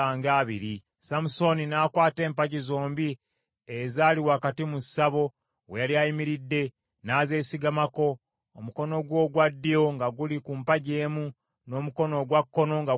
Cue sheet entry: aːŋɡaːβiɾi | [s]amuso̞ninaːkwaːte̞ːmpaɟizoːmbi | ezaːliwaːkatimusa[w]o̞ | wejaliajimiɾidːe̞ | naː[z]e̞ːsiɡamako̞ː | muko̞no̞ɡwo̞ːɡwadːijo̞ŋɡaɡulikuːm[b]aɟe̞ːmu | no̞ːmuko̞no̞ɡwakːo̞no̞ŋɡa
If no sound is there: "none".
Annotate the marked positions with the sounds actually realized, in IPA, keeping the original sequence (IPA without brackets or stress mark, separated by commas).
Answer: s, β, z, p